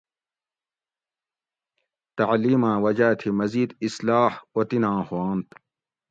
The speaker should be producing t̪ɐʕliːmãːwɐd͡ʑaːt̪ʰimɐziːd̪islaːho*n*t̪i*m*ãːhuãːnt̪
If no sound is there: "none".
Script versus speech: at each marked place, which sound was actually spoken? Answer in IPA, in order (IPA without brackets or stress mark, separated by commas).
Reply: none, n